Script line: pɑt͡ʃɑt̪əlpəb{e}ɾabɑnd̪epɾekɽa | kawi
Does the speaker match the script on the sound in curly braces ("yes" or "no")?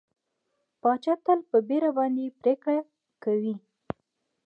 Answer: yes